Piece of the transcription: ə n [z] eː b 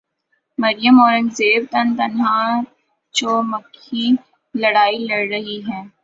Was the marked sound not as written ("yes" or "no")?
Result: no